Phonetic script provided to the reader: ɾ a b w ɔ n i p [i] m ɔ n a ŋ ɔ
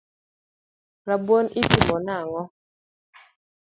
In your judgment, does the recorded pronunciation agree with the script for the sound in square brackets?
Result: yes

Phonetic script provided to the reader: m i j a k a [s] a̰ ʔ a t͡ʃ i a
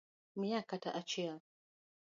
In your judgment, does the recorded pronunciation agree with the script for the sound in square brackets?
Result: no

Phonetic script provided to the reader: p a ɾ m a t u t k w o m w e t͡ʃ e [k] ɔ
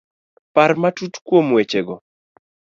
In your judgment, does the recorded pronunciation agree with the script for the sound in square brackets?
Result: no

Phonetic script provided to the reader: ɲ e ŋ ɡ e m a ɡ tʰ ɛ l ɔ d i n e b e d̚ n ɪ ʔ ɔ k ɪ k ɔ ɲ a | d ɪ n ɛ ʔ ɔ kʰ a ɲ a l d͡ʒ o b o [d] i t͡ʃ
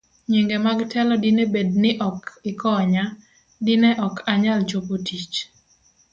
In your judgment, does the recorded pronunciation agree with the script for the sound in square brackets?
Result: no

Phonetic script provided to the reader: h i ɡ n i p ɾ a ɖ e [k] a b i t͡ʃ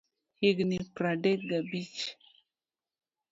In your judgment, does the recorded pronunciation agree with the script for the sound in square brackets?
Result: no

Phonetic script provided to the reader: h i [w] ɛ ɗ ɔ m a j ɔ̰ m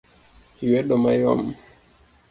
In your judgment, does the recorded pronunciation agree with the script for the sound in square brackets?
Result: yes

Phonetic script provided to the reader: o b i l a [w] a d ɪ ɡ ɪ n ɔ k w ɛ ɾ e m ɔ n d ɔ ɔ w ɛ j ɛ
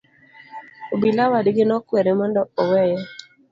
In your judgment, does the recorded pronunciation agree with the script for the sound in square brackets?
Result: yes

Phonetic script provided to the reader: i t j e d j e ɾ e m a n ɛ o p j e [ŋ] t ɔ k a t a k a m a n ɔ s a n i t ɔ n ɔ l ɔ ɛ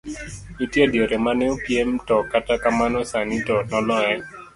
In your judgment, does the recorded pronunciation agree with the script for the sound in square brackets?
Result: no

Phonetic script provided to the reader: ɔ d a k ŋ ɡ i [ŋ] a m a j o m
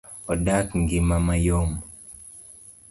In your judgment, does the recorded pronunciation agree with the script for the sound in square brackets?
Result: no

